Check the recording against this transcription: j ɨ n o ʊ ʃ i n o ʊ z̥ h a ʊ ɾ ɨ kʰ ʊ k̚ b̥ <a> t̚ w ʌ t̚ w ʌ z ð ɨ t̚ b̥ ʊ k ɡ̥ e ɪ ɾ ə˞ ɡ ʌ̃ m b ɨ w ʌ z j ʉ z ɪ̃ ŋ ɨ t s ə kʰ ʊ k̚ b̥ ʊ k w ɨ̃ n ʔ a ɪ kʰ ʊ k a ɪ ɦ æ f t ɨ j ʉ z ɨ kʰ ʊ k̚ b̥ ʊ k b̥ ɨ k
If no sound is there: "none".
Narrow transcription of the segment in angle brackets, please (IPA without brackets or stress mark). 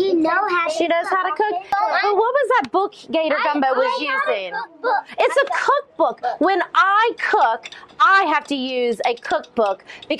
ʌ